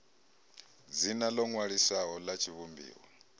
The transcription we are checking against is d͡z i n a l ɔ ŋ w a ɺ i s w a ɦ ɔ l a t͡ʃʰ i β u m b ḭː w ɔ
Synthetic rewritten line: d͡z i n a l ɔ ŋ w a ɺ i s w a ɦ ɔ l a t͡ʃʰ i β u m b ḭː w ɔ